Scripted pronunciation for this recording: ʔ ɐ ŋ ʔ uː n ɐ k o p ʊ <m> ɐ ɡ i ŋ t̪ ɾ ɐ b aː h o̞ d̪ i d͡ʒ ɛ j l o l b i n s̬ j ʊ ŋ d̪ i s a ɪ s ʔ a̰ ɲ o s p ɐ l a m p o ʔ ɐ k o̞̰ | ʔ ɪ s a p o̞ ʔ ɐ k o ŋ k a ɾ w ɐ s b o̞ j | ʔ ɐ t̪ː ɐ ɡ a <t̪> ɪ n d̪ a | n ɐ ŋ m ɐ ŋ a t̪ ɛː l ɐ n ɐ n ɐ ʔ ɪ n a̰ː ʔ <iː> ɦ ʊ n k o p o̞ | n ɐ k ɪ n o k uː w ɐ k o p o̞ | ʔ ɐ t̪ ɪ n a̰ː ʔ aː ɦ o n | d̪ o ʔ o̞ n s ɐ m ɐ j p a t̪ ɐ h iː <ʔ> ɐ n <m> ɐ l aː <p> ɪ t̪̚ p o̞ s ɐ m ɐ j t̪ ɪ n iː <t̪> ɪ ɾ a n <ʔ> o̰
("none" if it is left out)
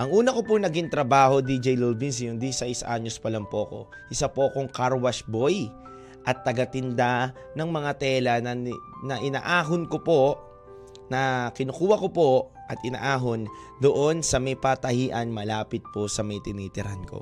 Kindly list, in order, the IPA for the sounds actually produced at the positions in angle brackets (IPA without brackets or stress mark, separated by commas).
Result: n, t̪, aː, ʔ, m, p, t̪, k